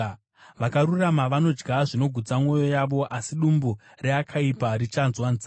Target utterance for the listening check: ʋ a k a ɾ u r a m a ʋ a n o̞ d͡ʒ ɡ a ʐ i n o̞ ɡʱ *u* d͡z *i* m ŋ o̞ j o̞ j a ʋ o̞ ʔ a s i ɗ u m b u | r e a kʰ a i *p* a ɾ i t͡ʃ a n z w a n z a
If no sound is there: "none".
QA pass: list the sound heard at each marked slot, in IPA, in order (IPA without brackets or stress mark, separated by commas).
u, a, p